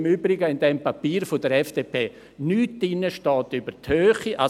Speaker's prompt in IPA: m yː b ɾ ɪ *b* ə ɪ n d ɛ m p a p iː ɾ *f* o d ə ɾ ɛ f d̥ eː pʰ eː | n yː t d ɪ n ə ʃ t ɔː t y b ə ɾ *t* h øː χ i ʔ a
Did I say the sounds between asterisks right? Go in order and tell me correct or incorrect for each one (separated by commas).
incorrect, correct, correct